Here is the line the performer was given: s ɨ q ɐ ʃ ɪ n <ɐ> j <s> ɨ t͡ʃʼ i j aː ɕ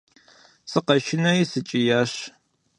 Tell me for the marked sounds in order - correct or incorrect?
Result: correct, correct

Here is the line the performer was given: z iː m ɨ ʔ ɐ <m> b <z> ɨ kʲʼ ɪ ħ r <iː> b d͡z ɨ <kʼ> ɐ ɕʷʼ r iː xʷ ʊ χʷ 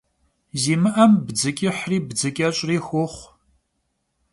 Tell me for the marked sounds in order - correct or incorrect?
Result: correct, incorrect, correct, correct

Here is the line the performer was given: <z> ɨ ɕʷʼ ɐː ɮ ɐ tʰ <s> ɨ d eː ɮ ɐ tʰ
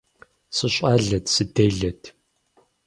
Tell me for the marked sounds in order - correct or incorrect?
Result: incorrect, correct

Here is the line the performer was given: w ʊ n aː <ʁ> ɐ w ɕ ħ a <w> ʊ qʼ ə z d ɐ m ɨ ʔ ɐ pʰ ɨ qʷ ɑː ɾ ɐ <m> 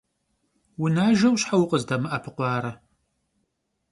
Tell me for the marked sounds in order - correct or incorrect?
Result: incorrect, correct, incorrect

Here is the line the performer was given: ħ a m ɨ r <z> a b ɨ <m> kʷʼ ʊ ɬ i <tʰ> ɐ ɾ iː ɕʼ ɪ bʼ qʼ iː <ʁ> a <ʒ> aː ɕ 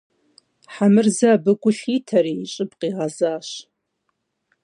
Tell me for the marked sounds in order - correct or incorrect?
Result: correct, incorrect, correct, correct, incorrect

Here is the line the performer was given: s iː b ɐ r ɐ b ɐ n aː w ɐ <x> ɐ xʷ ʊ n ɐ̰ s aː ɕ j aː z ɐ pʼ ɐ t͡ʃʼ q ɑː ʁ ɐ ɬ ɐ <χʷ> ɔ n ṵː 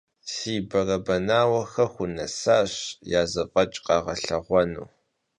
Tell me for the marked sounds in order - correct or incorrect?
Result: correct, incorrect

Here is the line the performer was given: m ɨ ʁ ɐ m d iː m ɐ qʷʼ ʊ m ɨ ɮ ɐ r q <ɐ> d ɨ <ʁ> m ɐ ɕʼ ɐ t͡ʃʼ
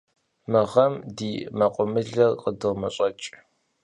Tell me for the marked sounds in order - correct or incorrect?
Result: incorrect, correct

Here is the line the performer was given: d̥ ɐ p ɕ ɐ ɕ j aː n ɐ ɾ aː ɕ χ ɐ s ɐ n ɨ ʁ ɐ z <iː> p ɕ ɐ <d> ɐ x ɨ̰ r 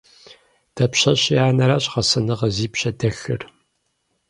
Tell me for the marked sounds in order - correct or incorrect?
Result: correct, correct

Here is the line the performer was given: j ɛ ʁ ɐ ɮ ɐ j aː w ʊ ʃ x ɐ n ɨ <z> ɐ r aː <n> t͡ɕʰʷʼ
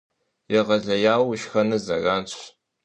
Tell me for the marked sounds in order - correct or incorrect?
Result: correct, correct

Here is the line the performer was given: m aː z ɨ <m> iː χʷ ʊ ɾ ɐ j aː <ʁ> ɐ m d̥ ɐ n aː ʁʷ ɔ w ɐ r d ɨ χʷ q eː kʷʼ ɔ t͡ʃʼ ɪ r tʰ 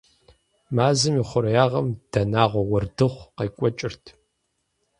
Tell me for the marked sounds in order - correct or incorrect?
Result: correct, correct

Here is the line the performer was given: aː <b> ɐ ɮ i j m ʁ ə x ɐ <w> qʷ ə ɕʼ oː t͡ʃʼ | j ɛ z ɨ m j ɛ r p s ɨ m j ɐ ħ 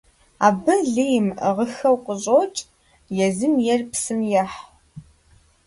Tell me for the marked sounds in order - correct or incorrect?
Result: correct, correct

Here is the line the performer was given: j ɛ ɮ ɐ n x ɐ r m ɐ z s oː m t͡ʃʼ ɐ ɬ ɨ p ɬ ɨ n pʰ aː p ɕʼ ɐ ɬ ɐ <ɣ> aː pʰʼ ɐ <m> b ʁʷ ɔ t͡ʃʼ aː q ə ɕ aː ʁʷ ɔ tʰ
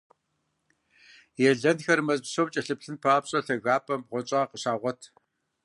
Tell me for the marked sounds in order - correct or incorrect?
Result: correct, correct

